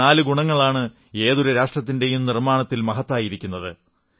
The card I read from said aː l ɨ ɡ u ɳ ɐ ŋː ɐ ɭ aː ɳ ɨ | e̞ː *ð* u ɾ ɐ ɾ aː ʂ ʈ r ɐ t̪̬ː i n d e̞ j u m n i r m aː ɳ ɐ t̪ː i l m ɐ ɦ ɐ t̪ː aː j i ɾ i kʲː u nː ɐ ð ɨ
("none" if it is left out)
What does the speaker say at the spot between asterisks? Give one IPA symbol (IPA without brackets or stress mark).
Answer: ð